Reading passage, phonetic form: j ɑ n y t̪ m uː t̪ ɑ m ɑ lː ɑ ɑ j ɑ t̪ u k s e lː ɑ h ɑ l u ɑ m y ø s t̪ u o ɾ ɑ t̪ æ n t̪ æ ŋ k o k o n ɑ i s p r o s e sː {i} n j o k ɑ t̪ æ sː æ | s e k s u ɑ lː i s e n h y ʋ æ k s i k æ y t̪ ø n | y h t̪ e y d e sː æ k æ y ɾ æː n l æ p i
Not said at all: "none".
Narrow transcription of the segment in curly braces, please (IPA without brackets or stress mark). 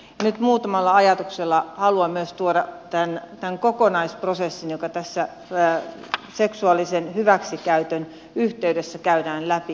i